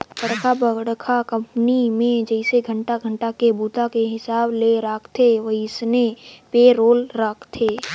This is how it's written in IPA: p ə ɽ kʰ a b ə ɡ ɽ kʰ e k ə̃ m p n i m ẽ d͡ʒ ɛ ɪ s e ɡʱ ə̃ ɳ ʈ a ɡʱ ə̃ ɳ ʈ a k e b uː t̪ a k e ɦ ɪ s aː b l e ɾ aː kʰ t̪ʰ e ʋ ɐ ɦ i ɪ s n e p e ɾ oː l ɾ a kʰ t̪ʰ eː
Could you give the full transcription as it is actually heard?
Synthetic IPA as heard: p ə ɽ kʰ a b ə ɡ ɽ kʰ a k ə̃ m p n i m ẽ d͡ʒ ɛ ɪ s e ɡʱ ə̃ ɳ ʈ a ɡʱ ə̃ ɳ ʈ a k e b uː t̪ a k e ɦ ɪ s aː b l e ɾ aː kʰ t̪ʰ e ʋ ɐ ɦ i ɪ s n e p e ɾ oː l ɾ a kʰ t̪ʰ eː